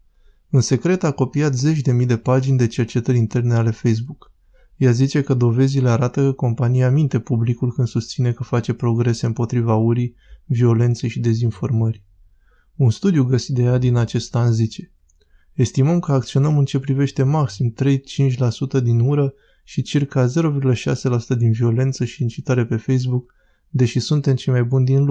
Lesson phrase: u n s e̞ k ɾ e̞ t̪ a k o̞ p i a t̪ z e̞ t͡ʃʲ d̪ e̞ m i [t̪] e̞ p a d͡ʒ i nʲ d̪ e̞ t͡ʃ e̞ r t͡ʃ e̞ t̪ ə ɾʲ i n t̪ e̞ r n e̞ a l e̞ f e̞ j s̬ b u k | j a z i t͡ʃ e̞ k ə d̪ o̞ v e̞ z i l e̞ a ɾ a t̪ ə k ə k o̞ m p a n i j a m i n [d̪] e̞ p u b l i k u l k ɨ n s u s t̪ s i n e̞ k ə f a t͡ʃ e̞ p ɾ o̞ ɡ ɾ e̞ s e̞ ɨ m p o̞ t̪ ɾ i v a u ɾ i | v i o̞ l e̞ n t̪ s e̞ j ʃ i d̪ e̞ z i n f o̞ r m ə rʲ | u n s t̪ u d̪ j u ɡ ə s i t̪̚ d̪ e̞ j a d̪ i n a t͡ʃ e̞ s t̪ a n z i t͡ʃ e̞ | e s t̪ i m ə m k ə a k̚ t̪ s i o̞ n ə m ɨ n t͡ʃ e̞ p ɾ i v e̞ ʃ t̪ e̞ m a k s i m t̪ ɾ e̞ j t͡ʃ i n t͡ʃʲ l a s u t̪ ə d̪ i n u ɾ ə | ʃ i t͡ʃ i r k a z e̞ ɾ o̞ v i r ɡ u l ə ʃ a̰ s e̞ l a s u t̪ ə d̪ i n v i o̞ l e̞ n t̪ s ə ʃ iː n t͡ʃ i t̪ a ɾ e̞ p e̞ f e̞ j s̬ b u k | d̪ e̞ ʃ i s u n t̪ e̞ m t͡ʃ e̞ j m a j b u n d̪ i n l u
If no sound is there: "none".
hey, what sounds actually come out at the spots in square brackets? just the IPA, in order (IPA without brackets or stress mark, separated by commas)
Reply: d̪, t̪